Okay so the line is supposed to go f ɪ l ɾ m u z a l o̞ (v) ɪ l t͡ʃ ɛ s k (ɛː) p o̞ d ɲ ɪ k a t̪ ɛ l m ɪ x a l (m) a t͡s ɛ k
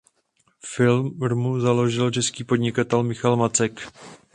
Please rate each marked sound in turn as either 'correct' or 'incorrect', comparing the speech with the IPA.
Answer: incorrect, incorrect, correct

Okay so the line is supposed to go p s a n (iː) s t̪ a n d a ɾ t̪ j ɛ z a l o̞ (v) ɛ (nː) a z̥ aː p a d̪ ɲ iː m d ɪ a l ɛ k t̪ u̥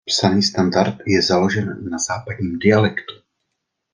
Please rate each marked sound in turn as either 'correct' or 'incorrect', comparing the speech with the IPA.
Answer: correct, incorrect, correct

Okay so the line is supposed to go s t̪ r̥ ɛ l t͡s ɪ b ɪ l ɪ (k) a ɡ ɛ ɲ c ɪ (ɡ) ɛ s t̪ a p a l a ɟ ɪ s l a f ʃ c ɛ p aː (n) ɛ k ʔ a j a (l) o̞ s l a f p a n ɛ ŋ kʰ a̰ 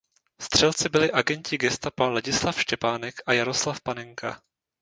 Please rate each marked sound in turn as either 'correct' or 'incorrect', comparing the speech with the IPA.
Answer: incorrect, correct, correct, incorrect

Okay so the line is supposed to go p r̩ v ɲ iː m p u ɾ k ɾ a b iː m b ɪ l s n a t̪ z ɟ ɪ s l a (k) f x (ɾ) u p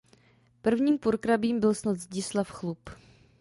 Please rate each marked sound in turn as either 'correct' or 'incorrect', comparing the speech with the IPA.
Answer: incorrect, incorrect

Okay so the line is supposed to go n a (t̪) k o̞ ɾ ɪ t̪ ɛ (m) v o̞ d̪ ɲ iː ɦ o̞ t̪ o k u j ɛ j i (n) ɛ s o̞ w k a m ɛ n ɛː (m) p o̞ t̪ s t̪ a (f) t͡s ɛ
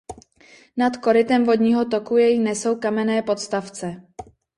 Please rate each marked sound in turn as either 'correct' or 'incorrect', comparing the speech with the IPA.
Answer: correct, correct, correct, incorrect, correct

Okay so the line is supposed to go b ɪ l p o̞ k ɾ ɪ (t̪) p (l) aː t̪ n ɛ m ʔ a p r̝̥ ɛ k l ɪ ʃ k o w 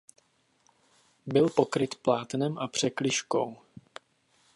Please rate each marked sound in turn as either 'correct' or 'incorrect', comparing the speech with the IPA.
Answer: correct, correct

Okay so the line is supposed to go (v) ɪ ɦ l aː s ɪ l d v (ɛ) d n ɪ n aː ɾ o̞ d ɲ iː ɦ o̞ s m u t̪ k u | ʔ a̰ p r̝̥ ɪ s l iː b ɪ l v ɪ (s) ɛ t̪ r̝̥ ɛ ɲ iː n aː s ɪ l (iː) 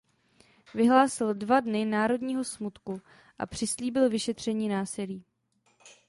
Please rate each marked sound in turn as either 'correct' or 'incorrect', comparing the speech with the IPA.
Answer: correct, incorrect, incorrect, correct

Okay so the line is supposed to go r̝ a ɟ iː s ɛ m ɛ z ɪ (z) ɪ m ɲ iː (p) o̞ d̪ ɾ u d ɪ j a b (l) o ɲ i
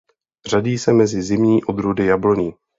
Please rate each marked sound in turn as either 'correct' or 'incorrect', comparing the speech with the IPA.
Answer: correct, incorrect, correct

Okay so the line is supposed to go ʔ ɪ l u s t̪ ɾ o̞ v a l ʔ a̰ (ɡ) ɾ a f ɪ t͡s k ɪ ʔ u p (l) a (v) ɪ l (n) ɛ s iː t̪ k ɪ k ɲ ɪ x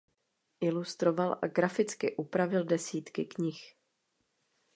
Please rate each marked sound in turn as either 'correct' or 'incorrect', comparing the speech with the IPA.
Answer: correct, incorrect, correct, incorrect

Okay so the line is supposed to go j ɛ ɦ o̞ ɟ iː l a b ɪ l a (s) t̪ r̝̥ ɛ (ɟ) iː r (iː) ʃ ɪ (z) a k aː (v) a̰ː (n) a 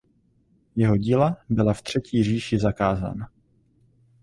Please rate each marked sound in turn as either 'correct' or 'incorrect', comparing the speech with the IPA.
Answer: incorrect, incorrect, correct, correct, incorrect, correct

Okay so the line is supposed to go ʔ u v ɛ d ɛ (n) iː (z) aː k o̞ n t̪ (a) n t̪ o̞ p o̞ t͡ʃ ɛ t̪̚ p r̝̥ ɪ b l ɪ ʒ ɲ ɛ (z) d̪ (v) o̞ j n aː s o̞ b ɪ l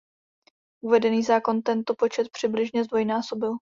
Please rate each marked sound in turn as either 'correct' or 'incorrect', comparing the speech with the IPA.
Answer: correct, correct, incorrect, correct, correct

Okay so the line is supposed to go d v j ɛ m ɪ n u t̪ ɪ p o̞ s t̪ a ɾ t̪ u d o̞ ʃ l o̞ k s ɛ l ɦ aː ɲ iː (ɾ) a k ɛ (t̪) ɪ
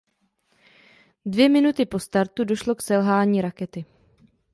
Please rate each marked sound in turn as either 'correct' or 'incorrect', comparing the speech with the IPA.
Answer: correct, correct

